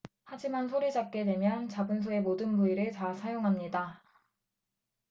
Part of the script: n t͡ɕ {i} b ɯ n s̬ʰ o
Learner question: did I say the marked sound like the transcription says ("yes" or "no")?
no